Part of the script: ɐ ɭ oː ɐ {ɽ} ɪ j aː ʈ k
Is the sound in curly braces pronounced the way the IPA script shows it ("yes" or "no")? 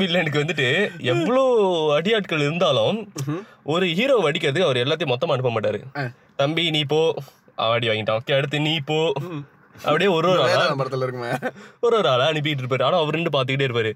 yes